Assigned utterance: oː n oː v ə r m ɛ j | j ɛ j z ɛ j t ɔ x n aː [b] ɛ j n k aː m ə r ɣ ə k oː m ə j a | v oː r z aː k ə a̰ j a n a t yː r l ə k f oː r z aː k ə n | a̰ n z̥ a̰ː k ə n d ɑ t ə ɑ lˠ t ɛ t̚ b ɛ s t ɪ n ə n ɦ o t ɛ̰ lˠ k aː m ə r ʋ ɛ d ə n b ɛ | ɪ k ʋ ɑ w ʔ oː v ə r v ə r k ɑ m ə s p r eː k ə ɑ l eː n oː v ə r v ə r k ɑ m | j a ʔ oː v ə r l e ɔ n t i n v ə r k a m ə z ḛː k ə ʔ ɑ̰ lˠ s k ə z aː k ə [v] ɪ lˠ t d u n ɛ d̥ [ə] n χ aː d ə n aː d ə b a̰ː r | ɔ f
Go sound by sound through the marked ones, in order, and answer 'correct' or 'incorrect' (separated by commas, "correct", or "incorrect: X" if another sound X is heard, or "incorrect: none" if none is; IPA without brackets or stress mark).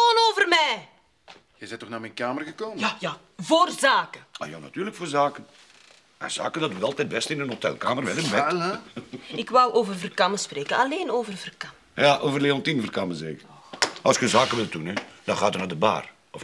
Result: incorrect: m, incorrect: ʋ, incorrect: ɑ